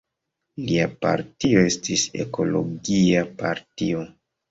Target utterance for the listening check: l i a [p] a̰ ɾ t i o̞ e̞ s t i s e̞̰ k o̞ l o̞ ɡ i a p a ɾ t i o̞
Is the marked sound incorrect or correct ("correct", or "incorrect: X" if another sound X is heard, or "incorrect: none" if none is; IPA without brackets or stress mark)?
correct